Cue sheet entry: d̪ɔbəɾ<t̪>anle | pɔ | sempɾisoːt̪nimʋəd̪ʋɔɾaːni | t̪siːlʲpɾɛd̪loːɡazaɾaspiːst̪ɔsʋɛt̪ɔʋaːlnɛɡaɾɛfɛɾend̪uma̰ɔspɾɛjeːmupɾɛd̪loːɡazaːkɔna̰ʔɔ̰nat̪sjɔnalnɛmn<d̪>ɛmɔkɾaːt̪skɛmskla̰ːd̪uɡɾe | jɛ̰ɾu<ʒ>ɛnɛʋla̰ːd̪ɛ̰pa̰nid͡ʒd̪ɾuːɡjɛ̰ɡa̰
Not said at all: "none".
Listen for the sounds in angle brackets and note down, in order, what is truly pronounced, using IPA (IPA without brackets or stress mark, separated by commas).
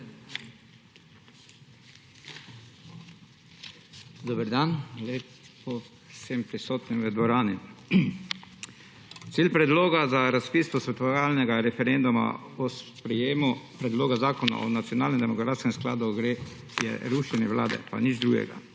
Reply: d̪, d̪, ʃ